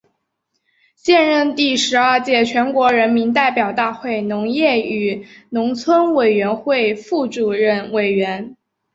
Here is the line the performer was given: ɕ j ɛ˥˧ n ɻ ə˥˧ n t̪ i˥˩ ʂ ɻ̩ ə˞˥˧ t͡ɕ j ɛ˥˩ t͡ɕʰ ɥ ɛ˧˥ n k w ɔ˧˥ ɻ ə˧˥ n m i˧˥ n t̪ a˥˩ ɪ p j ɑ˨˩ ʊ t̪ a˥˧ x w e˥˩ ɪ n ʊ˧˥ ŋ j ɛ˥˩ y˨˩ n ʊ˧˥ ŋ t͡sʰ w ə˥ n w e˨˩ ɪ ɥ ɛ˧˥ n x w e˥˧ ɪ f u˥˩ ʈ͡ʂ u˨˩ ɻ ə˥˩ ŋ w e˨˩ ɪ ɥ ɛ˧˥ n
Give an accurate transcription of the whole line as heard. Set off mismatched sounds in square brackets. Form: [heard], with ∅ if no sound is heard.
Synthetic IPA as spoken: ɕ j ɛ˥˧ n ɻ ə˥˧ n t̪ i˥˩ ʂ ɻ̩ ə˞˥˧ t͡ɕ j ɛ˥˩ t͡ɕʰ ɥ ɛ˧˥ n k w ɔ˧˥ ɻ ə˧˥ n m i˧˥ n t̪ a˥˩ ɪ p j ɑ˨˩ ʊ t̪ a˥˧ x w e˥˩ ɪ n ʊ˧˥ ŋ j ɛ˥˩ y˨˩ n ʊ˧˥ ŋ t͡sʰ w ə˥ n w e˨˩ ɪ ɥ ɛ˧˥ n x w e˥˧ ɪ f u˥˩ ʈ͡ʂ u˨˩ ɻ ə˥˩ [n] w e˨˩ ɪ ɥ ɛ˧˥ n